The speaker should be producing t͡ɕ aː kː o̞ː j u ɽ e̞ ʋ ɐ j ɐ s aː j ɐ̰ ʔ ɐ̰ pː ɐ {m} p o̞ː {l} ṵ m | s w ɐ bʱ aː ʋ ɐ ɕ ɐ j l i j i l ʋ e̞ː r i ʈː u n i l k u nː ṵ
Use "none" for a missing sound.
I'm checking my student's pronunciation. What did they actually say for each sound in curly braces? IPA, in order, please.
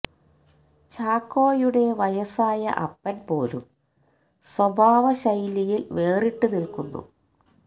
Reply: n, l

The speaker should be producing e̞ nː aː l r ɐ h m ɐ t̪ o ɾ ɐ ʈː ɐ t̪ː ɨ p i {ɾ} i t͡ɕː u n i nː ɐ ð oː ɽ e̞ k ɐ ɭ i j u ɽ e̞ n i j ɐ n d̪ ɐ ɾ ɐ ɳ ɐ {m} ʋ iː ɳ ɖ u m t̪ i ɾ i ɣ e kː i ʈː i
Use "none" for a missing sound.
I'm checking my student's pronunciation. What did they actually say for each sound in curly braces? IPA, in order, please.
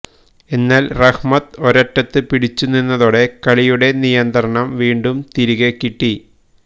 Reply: ɽ, m

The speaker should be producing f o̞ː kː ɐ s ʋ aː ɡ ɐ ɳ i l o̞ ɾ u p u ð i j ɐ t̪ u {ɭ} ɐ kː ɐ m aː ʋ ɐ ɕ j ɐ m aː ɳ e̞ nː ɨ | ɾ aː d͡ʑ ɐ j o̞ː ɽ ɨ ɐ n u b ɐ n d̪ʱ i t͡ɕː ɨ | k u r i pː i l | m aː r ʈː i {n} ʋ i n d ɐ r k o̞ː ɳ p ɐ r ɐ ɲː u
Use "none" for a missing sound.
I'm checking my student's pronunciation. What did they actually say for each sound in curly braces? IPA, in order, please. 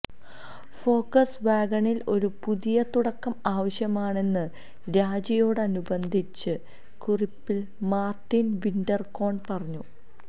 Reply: ɽ, n

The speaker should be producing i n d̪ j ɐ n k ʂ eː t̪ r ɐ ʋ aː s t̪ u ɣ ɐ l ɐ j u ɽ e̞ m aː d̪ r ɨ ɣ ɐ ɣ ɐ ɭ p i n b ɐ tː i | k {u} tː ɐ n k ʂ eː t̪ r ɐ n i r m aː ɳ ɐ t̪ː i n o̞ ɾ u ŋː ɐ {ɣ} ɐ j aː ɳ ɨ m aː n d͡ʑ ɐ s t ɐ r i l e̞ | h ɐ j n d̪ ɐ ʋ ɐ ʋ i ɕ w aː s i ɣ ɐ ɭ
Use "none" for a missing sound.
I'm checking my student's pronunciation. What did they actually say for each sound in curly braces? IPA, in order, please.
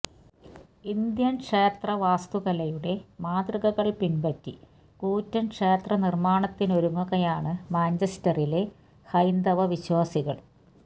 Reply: uː, ɣ

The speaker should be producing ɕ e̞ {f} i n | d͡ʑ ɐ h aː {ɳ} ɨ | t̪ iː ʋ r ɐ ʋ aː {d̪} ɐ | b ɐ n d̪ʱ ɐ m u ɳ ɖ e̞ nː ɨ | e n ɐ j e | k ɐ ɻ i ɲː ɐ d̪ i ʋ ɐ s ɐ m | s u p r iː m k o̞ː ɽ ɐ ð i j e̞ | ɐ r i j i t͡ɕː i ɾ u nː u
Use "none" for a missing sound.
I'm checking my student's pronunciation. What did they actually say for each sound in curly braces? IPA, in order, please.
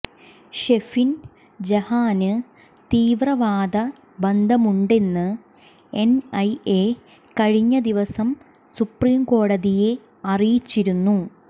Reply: f, n, d̪

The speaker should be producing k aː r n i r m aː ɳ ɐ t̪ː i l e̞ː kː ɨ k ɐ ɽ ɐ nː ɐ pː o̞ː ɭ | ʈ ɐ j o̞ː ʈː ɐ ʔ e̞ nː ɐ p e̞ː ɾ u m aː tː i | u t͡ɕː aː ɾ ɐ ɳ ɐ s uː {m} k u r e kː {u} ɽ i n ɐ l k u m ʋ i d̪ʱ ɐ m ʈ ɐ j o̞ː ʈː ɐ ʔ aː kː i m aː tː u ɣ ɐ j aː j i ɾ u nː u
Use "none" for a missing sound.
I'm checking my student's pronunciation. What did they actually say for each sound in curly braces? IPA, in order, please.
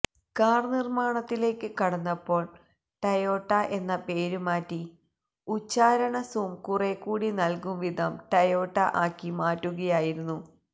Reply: m, uː

